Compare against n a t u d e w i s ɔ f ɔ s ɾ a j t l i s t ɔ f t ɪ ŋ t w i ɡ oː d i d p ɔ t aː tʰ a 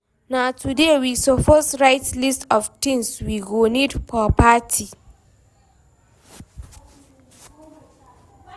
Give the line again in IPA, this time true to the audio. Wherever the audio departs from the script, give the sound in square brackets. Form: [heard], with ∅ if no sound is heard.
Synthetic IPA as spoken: n a t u d e w i s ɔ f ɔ s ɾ a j t l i s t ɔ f t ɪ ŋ [s] w i ɡ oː [n] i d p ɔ [p] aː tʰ [i]